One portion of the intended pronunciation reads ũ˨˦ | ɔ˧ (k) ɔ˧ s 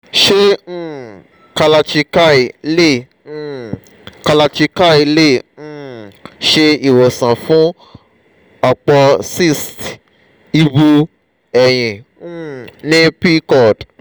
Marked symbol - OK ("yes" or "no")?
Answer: no